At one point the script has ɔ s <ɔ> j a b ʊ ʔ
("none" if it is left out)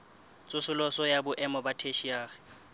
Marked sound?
ɔ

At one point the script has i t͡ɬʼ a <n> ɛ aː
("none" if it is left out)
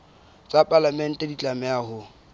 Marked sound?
m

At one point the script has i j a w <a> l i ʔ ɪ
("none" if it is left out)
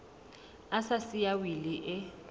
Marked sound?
i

